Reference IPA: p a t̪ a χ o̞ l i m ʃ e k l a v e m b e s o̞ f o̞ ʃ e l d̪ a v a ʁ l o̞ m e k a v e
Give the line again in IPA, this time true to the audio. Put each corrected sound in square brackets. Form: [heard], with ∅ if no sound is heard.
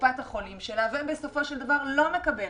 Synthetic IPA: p a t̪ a χ o̞ l i m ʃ e [∅] l a v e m b e s o̞ f o̞ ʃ e l d̪ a v a ʁ l o̞ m e k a [b] e